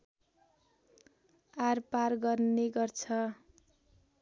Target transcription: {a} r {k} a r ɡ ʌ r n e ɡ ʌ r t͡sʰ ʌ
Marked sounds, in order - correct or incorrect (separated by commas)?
correct, incorrect